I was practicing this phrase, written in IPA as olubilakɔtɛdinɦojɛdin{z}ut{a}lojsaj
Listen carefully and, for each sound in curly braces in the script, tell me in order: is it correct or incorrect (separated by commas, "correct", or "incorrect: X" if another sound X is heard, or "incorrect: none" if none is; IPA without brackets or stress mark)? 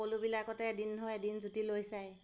correct, incorrect: i